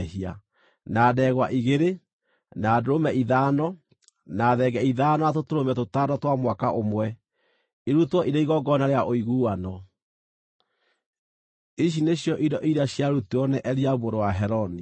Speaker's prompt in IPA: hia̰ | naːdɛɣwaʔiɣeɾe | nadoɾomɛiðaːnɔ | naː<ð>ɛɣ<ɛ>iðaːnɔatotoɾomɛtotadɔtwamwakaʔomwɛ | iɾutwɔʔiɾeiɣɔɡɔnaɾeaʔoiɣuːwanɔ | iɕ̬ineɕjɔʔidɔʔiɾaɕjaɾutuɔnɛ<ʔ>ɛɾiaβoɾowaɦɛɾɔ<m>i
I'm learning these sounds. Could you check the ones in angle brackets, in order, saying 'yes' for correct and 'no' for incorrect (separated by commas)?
yes, yes, yes, no